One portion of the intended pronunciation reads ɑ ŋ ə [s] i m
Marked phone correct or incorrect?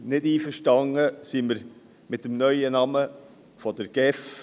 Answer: correct